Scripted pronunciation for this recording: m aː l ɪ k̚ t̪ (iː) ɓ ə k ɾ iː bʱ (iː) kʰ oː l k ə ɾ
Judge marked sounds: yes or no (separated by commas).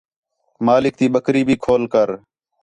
yes, yes